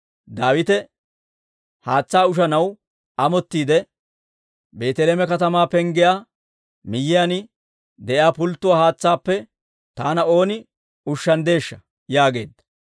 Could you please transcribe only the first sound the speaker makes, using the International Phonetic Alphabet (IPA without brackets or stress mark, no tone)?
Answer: d̪